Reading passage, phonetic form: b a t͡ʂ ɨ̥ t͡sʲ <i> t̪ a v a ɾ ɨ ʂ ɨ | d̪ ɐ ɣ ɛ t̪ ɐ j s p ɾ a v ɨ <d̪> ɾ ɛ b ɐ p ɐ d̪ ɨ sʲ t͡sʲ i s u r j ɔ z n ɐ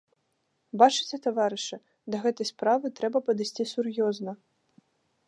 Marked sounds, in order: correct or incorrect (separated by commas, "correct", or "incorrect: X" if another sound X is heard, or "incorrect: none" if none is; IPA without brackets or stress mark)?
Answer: incorrect: ɛ, incorrect: t̪